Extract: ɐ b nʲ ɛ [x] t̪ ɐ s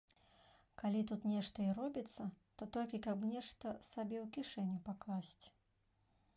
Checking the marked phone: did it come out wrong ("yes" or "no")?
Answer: yes